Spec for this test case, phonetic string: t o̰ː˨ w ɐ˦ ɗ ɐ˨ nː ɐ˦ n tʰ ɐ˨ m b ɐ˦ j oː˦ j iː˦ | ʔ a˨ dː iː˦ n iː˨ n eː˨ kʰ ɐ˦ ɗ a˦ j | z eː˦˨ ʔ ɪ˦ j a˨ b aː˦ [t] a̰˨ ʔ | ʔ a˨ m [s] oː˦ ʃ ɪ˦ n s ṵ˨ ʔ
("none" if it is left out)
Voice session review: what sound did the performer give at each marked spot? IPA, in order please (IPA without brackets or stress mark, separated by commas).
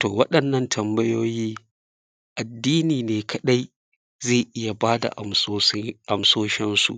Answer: d, s